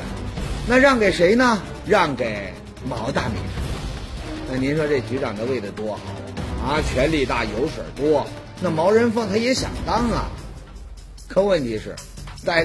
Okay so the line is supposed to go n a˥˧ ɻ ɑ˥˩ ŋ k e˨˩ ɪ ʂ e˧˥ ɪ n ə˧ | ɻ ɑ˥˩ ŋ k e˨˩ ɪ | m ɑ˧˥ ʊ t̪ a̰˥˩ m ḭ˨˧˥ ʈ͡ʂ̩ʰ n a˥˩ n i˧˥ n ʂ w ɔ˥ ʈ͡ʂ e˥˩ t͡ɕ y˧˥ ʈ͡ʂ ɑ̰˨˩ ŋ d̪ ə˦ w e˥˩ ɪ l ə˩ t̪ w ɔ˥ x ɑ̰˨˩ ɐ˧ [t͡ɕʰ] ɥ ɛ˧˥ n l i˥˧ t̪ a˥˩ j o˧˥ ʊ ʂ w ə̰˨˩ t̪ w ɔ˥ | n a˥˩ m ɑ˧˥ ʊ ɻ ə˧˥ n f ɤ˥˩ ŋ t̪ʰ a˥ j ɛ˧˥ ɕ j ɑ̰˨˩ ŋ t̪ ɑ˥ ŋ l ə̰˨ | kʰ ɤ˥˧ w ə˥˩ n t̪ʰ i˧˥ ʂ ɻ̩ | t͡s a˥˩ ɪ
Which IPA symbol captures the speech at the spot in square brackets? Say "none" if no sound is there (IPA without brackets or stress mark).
t͡ɕʰ